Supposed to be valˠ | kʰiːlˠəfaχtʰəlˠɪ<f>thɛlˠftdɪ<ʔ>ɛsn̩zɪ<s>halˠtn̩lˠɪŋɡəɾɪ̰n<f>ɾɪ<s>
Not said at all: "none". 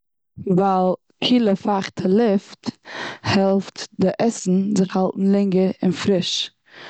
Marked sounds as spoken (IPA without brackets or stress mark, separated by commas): f, ʔ, χ, f, ʃ